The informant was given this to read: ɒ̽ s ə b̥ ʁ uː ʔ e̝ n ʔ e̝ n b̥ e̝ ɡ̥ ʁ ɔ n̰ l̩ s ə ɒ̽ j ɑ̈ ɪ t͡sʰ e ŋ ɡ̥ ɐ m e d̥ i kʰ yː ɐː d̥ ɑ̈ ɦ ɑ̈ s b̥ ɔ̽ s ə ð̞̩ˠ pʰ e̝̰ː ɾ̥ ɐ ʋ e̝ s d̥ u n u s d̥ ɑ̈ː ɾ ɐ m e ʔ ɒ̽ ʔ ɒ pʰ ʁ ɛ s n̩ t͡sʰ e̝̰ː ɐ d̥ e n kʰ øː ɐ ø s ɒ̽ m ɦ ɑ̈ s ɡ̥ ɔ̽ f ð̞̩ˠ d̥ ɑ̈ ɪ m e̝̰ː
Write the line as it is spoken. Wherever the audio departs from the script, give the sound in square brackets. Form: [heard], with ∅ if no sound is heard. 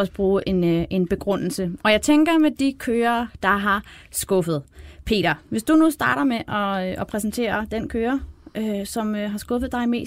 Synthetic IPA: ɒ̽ s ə b̥ ʁ uː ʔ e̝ n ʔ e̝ n b̥ e̝ ɡ̥ ʁ ɔ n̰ l̩ s ə ɒ̽ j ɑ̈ ɪ t͡sʰ e ŋ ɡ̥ ɐ m e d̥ i kʰ [øː] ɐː d̥ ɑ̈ ɦ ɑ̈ s [ɡ̥] ɔ̽ [f] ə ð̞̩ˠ pʰ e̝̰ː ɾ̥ ɐ ʋ e̝ s d̥ u n u s d̥ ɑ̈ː ɾ ɐ m e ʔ ɒ̽ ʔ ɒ pʰ ʁ ɛ s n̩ t͡sʰ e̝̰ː ɐ d̥ e n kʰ øː ɐ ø s ɒ̽ m ɦ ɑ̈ s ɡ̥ ɔ̽ f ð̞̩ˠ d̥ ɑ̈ ɪ m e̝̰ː